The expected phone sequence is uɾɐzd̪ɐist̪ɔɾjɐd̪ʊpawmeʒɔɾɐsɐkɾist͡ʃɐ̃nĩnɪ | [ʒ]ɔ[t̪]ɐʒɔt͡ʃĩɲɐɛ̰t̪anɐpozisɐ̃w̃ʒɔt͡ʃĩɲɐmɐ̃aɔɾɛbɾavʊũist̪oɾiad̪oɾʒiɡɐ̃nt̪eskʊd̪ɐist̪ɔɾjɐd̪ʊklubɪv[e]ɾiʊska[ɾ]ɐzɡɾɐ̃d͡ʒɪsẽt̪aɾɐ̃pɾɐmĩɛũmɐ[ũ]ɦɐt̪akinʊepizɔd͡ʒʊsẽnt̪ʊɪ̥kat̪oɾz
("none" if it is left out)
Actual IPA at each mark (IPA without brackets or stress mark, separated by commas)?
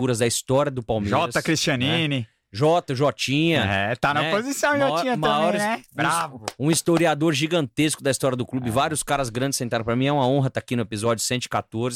ʒ, t̪, a, ɾ, õ